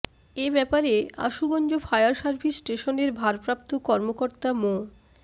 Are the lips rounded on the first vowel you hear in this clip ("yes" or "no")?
no